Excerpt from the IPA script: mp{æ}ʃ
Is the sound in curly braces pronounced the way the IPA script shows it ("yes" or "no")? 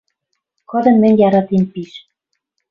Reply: no